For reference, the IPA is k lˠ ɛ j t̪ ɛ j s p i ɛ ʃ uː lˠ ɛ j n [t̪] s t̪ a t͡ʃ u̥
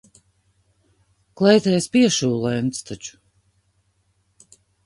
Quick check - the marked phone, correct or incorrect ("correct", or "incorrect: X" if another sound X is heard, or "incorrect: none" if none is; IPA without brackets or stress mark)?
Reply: correct